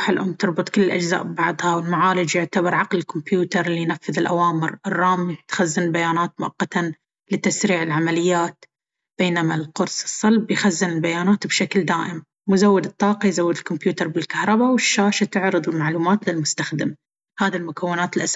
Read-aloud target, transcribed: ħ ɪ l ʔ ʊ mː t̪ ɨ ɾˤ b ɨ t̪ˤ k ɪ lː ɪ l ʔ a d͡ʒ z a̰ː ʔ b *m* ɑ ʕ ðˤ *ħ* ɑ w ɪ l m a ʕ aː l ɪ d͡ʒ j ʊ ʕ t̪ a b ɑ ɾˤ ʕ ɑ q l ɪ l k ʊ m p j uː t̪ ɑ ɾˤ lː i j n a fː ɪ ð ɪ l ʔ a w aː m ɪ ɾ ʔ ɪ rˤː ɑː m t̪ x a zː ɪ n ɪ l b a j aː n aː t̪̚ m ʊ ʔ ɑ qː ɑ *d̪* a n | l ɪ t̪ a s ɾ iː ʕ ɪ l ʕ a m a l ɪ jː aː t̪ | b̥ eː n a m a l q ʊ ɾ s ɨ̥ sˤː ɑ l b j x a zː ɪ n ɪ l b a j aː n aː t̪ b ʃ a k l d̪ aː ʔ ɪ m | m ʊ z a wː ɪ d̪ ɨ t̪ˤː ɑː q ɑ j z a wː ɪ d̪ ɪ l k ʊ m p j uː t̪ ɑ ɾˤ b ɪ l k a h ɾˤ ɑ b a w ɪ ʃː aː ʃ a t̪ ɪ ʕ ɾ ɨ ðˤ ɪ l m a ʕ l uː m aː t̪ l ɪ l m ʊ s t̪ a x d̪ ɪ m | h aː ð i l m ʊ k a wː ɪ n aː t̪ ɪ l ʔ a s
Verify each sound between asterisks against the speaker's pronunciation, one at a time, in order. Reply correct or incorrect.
incorrect: b, incorrect: h, incorrect: t̪

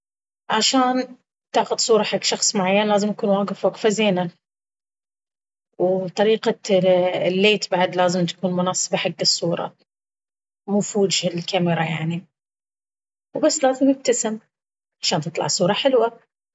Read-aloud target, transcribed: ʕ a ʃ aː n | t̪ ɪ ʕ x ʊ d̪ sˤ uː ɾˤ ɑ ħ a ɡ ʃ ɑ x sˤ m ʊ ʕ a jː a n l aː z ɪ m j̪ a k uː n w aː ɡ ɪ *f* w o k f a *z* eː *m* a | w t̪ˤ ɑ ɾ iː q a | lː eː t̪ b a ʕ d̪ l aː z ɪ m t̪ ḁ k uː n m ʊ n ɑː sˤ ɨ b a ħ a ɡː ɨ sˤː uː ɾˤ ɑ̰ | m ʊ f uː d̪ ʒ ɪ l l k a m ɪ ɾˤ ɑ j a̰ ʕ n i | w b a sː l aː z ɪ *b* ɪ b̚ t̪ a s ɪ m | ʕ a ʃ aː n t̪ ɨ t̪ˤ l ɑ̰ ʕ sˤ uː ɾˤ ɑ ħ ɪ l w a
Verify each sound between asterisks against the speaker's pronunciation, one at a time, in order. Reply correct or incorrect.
correct, correct, incorrect: n, incorrect: m

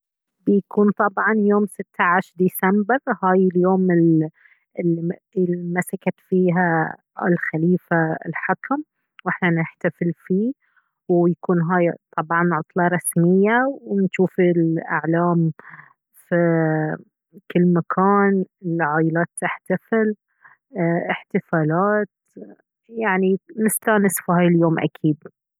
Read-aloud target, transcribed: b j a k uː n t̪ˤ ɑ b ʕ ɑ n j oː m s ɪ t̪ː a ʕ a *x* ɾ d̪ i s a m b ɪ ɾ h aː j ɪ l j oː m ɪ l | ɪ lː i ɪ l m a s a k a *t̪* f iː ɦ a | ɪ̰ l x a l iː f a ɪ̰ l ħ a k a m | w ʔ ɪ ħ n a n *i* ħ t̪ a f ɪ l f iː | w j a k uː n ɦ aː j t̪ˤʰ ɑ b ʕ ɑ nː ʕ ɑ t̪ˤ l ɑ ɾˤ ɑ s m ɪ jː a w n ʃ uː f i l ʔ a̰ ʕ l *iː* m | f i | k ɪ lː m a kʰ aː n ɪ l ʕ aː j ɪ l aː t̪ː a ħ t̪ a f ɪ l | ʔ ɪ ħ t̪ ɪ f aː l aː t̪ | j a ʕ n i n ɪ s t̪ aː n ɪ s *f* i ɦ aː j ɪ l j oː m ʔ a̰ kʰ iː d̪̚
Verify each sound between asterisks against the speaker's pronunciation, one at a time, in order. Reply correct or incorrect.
incorrect: ʃ, correct, incorrect: ɪ, incorrect: aː, correct

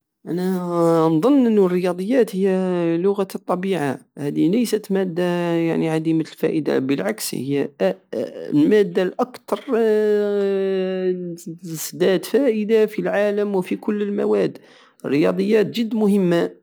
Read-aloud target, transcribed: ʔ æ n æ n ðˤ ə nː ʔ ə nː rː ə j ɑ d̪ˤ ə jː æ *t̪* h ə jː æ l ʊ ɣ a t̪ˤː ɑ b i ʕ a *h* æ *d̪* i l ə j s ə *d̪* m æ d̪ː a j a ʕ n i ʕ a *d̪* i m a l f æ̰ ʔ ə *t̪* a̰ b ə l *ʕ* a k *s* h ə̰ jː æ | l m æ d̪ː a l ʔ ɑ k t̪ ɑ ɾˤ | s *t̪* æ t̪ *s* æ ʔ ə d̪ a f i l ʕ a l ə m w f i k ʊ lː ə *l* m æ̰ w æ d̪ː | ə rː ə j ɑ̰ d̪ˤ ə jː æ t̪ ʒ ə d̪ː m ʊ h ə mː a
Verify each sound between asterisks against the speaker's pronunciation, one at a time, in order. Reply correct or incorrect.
correct, correct, correct, incorrect: t̪, correct, incorrect: d̪, correct, correct, incorrect: d̪, incorrect: f, correct

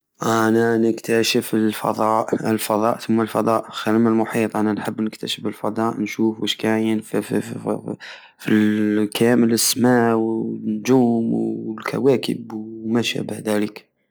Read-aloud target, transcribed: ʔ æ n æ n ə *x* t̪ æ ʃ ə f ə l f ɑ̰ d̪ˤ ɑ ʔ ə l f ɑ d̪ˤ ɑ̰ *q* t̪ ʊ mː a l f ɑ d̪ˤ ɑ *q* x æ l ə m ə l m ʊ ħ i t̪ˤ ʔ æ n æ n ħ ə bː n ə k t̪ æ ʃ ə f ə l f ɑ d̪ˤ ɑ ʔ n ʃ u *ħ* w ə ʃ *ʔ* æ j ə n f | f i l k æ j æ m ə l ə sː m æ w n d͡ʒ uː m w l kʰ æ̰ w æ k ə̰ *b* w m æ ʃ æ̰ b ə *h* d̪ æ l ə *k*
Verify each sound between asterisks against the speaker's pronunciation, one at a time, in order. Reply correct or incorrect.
incorrect: k, incorrect: ʔ, incorrect: ʔ, incorrect: f, incorrect: k, correct, correct, correct

